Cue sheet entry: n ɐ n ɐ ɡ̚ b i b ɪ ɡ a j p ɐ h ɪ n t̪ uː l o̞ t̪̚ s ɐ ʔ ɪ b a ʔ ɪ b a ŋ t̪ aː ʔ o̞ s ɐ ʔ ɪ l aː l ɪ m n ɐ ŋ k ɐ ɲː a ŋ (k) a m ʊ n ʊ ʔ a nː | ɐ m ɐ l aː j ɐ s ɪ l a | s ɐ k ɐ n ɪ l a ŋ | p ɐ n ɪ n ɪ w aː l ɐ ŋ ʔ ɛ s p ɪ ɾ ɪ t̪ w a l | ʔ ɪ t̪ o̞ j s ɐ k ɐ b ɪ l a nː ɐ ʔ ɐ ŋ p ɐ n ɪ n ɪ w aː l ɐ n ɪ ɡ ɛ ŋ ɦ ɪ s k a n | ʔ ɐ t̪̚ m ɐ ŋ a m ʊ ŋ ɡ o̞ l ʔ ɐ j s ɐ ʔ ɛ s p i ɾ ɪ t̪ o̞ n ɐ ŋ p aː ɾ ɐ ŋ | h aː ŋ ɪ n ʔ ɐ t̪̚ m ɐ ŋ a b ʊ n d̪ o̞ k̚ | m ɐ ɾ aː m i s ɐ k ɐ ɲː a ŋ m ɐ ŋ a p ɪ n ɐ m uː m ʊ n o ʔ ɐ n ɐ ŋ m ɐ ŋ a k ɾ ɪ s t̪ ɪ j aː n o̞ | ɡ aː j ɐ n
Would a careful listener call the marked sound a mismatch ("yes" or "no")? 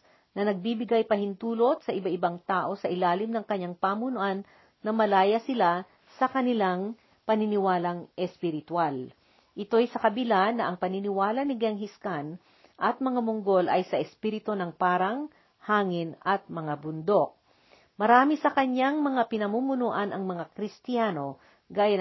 yes